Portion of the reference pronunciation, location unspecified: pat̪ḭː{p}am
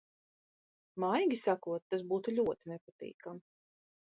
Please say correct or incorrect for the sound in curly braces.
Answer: incorrect